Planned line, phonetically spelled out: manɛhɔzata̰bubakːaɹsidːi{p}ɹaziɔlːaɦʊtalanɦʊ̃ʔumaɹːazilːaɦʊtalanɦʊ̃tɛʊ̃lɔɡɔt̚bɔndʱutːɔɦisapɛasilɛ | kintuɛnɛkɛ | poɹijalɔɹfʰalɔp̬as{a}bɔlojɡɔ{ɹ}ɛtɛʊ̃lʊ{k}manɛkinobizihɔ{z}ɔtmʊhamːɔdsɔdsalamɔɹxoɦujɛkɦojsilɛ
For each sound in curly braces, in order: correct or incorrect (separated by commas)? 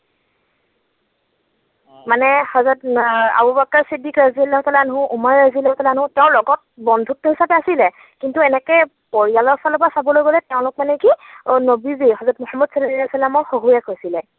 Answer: incorrect, correct, incorrect, correct, correct